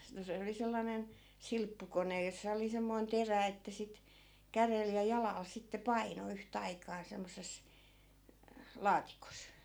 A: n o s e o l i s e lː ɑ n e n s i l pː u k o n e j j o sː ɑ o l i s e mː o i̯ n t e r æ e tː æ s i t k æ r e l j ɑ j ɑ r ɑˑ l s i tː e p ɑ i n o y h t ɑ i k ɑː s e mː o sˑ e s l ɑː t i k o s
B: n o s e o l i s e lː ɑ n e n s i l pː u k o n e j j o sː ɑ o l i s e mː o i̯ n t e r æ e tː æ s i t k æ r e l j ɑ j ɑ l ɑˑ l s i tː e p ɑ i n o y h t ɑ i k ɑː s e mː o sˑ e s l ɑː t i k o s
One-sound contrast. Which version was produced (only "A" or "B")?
B